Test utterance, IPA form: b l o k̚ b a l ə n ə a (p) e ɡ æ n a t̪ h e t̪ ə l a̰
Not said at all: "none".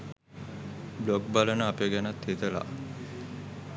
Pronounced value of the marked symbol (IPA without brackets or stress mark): p